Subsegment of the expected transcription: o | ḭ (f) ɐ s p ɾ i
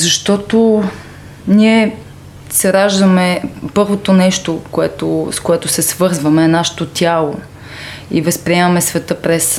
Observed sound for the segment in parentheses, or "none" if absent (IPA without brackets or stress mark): v